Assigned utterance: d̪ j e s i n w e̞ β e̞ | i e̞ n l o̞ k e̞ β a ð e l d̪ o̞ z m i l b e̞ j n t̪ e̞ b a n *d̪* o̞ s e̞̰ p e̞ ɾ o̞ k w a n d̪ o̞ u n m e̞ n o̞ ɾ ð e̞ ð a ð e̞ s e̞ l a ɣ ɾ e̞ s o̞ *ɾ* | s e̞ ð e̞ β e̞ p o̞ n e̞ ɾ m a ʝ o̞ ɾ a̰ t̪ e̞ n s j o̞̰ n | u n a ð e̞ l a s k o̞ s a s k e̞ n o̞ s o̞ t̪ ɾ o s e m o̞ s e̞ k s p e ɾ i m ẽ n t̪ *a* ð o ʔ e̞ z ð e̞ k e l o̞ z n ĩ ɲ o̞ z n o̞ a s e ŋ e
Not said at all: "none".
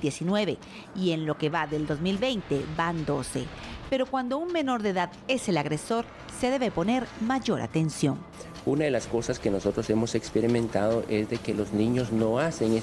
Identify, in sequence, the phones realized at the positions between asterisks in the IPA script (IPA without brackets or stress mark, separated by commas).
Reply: d̪, ɾ, a